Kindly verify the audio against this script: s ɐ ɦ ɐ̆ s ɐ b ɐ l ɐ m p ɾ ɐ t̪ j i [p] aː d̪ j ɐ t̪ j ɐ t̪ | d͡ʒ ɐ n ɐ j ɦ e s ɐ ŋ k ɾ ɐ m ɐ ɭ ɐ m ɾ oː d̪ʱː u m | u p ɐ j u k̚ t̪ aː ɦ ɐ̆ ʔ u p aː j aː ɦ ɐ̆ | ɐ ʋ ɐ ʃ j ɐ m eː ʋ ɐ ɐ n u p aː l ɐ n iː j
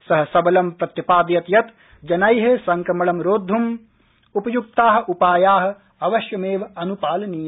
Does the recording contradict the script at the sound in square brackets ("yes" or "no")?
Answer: no